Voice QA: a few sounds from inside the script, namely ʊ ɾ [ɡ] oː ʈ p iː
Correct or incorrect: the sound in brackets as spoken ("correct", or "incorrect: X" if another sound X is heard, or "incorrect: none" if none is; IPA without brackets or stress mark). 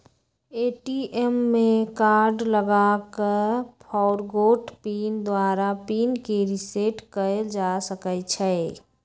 correct